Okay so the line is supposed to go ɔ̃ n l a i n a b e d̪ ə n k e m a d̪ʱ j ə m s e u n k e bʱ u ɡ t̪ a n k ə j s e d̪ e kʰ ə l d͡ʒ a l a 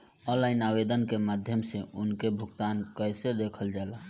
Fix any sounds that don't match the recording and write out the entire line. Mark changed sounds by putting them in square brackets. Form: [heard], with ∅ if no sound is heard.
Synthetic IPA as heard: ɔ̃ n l a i n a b e d̪ ə n k e m a d̪ʱ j ə m s e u n k e bʱ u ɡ t̪ a n k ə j s e d̪ e kʰ ə l d͡ʒ a l a